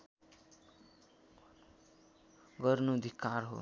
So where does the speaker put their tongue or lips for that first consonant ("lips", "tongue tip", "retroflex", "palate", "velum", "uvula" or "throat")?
velum